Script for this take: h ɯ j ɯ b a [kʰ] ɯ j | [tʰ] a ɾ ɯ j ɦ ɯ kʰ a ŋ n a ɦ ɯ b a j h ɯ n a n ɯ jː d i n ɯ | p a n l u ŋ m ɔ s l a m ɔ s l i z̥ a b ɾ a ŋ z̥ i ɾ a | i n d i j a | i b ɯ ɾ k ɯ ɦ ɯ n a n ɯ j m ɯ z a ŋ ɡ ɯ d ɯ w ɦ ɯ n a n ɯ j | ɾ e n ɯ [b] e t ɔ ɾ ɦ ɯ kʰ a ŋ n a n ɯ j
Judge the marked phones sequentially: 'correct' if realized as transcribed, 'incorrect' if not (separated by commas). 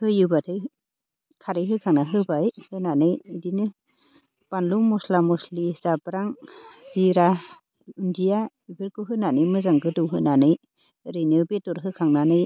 incorrect, incorrect, correct